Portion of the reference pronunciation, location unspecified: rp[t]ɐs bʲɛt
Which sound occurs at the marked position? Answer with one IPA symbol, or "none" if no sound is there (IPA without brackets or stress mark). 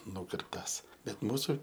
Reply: t